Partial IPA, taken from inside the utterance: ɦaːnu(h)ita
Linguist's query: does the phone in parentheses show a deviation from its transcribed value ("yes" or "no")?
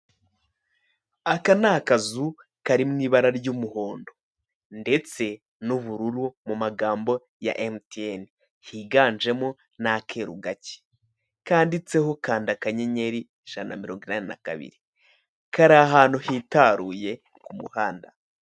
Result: no